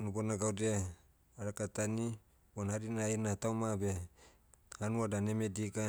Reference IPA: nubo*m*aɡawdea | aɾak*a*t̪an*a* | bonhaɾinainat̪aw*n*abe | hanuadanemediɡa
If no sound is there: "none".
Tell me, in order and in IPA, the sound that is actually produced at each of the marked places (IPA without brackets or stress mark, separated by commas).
n, a, i, m